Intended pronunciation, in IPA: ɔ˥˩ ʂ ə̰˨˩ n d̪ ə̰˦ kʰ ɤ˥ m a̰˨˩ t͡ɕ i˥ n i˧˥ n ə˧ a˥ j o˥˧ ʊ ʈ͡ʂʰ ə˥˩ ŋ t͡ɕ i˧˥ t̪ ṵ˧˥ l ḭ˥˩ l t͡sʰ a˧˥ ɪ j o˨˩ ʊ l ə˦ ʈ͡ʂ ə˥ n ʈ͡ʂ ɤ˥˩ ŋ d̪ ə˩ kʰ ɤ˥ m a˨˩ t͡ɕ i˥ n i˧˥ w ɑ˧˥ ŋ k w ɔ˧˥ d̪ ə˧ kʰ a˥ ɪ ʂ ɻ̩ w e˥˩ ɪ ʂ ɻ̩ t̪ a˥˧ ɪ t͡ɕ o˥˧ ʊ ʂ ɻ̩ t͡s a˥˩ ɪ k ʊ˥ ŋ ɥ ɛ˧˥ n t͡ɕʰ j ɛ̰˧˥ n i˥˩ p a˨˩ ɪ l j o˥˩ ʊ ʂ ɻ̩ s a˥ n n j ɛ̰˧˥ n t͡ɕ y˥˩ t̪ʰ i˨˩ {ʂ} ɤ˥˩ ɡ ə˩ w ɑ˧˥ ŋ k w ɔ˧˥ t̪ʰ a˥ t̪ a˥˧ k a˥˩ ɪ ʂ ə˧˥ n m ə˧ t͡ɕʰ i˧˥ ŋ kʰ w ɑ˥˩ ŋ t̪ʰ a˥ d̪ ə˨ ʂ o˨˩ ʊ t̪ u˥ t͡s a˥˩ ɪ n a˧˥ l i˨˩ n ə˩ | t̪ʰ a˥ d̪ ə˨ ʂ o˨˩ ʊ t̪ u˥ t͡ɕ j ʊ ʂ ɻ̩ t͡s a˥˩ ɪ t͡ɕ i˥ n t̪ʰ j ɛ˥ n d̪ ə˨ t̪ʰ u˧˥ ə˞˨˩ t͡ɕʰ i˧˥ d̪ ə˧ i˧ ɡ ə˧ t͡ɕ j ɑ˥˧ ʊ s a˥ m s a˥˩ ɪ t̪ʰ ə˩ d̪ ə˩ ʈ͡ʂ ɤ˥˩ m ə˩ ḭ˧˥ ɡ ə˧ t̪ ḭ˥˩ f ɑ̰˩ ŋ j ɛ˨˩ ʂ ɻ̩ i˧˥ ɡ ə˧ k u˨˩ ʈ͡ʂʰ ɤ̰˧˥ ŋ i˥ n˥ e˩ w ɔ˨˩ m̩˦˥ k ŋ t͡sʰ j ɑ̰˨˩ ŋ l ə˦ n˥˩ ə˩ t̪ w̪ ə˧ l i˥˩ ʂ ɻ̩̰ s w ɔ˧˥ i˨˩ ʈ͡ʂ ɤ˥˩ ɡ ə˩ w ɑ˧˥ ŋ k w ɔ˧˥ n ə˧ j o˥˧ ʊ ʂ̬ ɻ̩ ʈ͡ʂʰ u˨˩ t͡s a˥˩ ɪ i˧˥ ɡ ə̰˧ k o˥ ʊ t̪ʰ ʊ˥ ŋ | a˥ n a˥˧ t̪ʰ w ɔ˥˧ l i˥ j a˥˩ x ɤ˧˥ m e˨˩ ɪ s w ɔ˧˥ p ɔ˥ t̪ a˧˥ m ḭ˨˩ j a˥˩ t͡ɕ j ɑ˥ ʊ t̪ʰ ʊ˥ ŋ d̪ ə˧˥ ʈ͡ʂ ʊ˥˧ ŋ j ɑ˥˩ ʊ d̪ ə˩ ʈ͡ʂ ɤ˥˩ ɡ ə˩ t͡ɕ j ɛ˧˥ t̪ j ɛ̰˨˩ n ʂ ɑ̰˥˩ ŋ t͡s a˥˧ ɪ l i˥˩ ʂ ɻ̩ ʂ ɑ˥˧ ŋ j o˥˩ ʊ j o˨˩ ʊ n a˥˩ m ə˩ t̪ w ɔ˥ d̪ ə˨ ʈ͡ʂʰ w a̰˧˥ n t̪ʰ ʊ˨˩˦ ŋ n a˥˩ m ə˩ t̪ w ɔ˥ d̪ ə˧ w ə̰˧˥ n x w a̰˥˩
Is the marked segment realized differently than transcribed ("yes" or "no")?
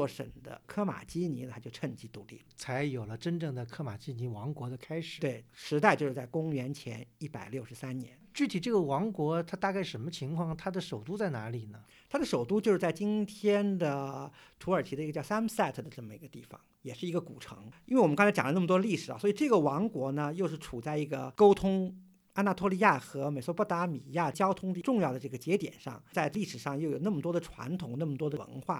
yes